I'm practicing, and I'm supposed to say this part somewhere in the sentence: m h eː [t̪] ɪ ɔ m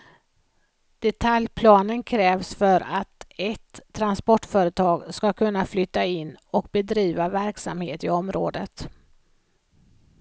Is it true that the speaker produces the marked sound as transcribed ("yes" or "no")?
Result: yes